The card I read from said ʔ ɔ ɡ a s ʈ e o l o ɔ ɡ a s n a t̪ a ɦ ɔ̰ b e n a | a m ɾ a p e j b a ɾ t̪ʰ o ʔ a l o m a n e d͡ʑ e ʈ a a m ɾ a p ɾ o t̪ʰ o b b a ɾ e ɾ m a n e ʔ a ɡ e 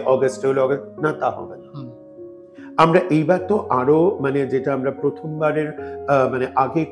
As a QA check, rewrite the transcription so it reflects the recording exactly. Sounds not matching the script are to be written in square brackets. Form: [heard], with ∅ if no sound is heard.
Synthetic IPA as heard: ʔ ɔ ɡ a s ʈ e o l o ɔ ɡ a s n a t̪ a ɦ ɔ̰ b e n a | a m ɾ a [ʔ] e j b a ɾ [t̪] o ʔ a [ɾ] o m a n e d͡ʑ e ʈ a a m ɾ a p ɾ o t̪ʰ o [m] b a ɾ e ɾ m a n e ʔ a ɡ e